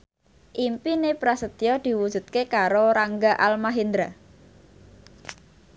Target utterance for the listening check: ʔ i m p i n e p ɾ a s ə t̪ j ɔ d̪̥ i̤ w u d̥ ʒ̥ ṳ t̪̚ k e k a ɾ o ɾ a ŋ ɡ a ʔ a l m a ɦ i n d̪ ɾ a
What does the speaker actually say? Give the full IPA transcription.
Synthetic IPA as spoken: ʔ i m p i n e p ɾ a s ə t̪ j ɔ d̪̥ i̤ w u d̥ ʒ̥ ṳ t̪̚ k e k a ɾ o ɾ a ŋ ɡ a ʔ a l m a ɦ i n d̪ ɾ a